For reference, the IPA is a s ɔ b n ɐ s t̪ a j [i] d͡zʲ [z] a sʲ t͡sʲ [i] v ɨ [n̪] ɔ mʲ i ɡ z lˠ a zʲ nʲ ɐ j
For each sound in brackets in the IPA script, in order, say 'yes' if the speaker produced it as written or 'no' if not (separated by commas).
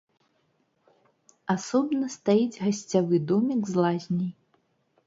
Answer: yes, no, no, no